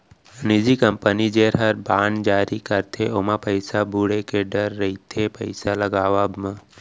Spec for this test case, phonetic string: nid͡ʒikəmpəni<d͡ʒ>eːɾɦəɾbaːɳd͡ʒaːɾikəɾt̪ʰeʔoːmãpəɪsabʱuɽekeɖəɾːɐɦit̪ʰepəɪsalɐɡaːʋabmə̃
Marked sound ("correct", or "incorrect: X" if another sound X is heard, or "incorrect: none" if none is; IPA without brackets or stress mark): correct